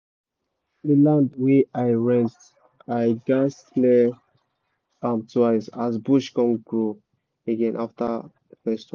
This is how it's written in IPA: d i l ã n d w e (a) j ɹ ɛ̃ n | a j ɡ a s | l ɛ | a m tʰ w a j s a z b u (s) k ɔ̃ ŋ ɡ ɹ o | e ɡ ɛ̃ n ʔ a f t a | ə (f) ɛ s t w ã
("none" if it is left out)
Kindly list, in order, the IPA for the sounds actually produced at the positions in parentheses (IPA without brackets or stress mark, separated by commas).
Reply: a, ʃ, f